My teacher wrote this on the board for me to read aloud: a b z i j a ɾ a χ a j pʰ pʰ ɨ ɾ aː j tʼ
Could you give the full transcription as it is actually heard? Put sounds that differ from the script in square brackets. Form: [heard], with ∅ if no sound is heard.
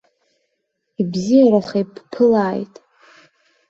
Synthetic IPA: [i] b z i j a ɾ a χ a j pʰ pʰ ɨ [l] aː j tʼ